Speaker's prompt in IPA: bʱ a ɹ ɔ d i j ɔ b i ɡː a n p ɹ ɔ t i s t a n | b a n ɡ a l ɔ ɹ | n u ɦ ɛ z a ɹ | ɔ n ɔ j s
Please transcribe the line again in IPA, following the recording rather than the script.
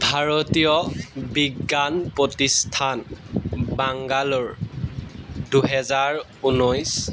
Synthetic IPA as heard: bʱ a ɹ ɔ t i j ɔ b i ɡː a n p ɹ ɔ t i s tʰ a n | b a ŋ ɡ a l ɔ ɹ | d u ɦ ɛ z a ɹ | u n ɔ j s